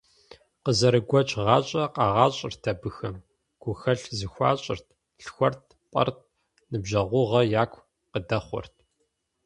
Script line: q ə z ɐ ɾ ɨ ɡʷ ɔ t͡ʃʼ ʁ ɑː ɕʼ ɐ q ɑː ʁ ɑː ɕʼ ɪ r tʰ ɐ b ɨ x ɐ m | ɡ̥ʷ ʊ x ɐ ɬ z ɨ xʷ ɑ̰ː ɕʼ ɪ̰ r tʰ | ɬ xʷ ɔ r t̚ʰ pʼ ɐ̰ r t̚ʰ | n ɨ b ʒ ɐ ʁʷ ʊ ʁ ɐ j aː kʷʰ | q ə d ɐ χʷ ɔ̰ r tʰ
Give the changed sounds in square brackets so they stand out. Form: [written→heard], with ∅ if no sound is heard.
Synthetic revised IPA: q ə z ɐ ɾ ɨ ɡʷ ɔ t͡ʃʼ ʁ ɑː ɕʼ ɐ q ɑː ʁ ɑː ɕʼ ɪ r tʰ ɐ b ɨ x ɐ m | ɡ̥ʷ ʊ x ɐ ɬ z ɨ xʷ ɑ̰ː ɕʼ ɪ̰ r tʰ | ɬ xʷ ɔ r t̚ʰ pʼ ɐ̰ r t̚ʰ | n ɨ b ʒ ɐ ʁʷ ʊ ʁ ɐ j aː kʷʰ | q ə d ɐ χʷ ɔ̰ r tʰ